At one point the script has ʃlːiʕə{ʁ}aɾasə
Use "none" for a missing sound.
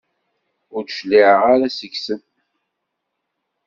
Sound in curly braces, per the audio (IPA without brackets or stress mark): ʁ